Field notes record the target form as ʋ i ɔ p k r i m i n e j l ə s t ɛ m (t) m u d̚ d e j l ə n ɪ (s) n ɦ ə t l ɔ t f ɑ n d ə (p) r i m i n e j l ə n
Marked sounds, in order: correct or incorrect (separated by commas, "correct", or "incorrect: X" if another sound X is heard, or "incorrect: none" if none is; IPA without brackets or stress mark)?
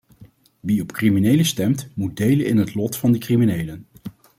correct, incorrect: none, incorrect: k